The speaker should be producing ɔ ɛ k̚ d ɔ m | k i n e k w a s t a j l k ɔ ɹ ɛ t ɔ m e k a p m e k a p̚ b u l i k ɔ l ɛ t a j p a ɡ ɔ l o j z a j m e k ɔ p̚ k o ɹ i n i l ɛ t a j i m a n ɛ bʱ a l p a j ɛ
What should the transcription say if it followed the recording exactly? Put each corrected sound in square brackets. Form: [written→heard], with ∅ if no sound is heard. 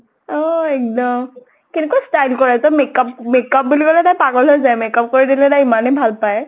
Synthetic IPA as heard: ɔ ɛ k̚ d ɔ m | k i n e k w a s t a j l k ɔ ɹ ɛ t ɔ m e k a p m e k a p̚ b u l i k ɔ l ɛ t a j p a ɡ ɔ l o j z a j m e k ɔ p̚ k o ɹ i [n→d] i l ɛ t a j i m a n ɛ bʱ a l p a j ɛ